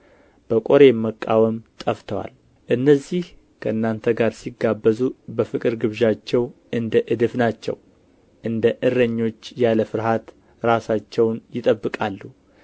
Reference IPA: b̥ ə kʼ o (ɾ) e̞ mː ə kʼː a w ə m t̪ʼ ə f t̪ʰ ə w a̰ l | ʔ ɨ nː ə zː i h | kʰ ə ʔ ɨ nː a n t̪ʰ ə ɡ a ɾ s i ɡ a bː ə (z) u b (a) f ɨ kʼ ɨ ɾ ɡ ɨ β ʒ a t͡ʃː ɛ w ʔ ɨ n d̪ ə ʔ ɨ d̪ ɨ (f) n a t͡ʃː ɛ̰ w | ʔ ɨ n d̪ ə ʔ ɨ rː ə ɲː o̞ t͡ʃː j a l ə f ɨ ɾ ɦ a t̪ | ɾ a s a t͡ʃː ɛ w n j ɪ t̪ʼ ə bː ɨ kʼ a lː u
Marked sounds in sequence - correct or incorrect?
correct, correct, incorrect: ə, correct

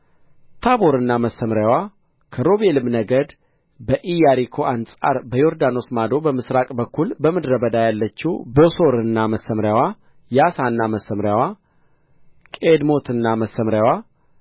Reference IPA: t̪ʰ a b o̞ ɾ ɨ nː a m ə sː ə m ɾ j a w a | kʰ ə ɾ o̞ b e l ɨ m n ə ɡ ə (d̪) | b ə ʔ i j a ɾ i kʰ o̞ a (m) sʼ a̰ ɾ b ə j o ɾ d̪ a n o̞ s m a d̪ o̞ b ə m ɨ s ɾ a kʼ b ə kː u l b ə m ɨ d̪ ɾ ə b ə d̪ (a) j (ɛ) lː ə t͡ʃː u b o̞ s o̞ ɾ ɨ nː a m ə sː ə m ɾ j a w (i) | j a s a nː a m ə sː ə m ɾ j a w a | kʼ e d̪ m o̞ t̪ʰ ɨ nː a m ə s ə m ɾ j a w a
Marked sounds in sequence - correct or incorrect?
correct, incorrect: n, correct, incorrect: a, incorrect: a

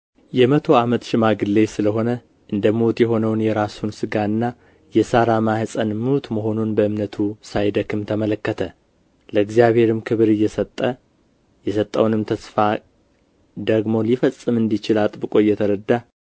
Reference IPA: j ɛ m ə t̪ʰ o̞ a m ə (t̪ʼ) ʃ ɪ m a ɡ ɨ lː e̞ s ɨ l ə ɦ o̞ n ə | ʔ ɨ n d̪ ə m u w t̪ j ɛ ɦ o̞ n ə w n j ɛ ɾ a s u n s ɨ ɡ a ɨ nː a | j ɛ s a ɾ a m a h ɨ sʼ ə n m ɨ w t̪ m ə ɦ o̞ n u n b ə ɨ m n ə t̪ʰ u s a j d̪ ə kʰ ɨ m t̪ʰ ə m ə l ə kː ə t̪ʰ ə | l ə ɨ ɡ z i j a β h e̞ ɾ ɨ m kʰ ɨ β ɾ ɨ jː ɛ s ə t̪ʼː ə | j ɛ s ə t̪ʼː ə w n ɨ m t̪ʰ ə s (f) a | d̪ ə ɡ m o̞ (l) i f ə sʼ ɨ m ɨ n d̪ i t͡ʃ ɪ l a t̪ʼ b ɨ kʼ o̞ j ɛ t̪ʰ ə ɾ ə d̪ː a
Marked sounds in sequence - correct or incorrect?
incorrect: t̪, correct, correct

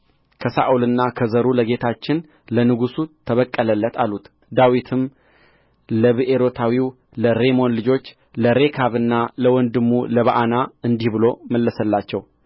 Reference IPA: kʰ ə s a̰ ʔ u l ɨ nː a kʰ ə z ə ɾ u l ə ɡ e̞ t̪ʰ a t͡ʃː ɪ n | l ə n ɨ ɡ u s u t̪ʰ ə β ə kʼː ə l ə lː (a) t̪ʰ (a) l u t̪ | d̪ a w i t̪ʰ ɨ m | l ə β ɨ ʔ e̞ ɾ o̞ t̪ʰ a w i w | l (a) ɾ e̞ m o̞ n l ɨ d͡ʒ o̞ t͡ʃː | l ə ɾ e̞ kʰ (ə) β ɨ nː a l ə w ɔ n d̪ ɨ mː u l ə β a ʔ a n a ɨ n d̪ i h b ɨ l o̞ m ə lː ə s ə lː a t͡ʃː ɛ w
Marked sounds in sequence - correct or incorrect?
incorrect: ə, correct, incorrect: ə, incorrect: a

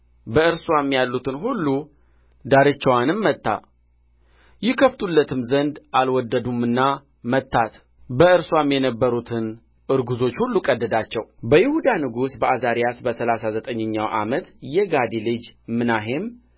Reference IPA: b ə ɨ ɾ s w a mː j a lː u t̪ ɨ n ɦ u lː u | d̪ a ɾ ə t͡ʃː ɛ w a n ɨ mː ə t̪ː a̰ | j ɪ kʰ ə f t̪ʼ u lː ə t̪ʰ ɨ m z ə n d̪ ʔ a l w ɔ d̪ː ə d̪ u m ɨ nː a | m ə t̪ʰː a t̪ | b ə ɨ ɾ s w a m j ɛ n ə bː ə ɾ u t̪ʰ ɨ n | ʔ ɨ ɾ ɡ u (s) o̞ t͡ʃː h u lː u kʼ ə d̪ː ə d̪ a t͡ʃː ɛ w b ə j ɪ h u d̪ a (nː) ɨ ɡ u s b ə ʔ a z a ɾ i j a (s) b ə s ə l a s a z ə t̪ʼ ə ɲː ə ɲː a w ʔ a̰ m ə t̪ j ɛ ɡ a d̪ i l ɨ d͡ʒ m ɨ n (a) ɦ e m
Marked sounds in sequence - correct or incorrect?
incorrect: z, incorrect: n, correct, correct

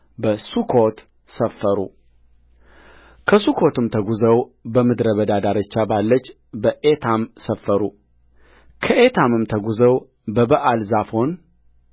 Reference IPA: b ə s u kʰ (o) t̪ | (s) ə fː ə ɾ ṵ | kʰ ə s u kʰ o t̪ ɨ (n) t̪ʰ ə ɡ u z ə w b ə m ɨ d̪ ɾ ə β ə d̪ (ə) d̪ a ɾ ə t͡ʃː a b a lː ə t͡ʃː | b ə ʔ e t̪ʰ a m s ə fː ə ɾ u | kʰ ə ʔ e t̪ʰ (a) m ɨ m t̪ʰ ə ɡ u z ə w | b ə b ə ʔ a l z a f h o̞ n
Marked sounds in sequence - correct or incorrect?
correct, correct, incorrect: m, incorrect: a, correct

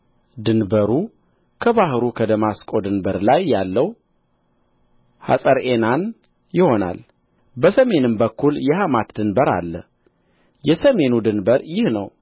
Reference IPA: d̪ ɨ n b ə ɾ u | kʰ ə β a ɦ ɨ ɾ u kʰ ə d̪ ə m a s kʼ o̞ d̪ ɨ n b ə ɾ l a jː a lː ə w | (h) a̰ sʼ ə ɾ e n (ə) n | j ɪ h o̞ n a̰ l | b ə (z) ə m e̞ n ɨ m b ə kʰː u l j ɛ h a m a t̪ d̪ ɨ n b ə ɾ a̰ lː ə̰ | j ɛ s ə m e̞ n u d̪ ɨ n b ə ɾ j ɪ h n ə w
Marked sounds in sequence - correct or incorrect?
correct, incorrect: a, incorrect: s

